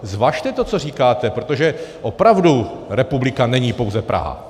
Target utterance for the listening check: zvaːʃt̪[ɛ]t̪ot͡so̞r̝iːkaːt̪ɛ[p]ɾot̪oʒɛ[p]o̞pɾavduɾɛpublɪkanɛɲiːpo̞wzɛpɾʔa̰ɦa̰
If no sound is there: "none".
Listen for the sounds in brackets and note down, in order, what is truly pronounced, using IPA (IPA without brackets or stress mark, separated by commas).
ɛ, p, ʔ